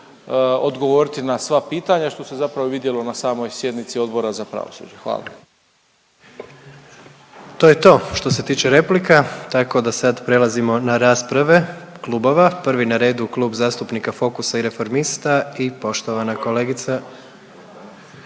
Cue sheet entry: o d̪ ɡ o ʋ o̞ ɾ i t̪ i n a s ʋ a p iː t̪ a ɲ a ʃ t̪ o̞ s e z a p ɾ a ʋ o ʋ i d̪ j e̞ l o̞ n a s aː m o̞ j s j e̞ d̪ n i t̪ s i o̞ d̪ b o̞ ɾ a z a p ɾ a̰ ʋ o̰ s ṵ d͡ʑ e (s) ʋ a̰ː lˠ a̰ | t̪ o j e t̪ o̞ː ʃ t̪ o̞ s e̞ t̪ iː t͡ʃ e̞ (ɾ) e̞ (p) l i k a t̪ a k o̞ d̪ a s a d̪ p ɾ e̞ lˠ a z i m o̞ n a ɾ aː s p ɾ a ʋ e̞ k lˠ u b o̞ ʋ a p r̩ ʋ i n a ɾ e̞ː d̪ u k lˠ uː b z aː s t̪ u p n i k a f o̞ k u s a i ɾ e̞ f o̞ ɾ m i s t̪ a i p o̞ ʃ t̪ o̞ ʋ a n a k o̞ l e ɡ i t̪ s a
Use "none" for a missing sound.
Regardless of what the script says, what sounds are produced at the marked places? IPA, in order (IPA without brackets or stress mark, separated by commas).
x, ɾ, p